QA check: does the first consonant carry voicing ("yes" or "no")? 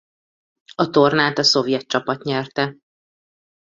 no